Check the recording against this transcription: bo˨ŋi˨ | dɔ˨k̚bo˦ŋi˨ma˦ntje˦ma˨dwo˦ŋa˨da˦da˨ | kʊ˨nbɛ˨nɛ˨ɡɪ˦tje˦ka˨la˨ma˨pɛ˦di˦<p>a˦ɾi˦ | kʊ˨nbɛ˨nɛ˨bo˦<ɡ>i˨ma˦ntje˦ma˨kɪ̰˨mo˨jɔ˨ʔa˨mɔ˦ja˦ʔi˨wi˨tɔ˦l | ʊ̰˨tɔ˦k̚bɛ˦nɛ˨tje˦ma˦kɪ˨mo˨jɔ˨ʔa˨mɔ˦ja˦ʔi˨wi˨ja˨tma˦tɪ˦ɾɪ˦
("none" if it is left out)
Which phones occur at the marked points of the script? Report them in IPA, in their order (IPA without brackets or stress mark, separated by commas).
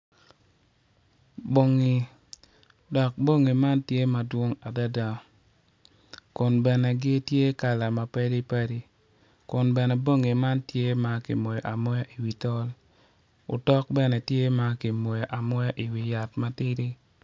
p, ŋ